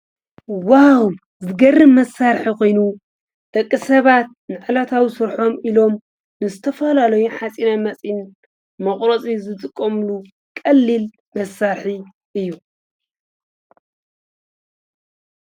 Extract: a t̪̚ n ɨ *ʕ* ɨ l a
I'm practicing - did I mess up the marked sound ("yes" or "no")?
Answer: no